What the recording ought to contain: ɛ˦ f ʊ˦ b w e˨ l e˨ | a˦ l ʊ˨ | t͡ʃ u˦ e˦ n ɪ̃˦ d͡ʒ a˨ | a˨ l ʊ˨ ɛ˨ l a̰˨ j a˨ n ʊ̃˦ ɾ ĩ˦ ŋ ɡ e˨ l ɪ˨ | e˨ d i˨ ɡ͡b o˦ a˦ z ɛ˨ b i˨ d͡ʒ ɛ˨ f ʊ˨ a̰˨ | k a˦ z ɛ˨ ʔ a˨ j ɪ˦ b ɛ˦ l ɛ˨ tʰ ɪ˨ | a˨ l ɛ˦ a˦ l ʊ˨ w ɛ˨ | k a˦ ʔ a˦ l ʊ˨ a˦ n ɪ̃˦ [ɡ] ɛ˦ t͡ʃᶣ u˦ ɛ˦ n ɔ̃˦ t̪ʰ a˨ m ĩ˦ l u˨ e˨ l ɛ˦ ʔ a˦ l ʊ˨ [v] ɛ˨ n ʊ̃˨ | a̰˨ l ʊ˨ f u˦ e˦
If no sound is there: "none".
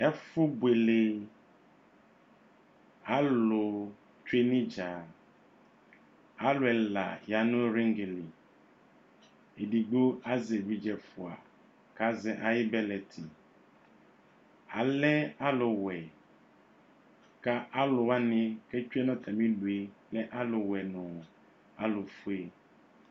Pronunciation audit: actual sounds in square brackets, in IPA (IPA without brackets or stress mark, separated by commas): k, w